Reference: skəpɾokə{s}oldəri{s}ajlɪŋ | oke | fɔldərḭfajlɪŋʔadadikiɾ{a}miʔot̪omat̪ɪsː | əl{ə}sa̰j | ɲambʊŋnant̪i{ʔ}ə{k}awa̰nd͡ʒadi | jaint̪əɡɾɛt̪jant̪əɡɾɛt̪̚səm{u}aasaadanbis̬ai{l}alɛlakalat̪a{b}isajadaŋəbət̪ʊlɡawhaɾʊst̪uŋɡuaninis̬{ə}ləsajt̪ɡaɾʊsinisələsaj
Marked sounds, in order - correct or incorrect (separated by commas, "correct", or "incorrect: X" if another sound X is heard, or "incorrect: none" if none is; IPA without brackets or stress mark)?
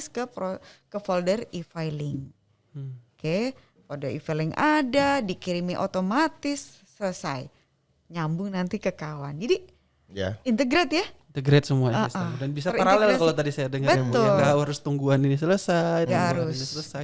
incorrect: f, incorrect: f, incorrect: i, correct, incorrect: k, correct, correct, incorrect: ɾ, incorrect: d, correct